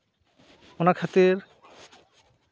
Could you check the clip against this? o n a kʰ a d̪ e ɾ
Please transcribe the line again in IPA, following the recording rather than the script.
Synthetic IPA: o n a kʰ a t̪ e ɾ